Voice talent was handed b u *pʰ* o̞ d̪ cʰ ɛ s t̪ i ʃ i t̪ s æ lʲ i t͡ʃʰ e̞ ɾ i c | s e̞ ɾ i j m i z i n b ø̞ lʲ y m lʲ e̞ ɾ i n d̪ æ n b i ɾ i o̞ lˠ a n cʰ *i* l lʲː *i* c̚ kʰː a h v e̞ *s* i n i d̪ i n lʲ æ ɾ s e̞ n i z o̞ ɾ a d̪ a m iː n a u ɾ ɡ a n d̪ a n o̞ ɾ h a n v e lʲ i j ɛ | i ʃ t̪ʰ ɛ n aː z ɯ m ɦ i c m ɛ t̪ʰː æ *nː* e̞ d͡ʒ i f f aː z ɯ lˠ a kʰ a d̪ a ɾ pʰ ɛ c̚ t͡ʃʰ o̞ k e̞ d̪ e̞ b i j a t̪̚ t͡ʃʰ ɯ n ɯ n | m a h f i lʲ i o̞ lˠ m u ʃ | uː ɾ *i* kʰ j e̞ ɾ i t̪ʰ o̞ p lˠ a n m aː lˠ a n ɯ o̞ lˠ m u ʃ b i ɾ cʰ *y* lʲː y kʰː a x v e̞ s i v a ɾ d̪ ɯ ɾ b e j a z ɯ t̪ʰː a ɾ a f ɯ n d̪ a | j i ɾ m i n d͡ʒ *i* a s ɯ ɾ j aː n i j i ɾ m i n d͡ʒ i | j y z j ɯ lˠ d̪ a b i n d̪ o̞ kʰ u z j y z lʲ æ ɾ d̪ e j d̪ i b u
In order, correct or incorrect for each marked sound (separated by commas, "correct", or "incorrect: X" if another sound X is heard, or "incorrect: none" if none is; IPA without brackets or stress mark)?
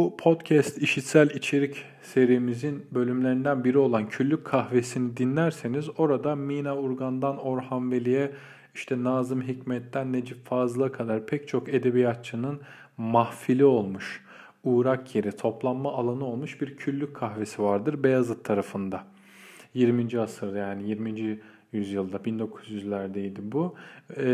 correct, incorrect: y, incorrect: y, correct, correct, incorrect: a, correct, correct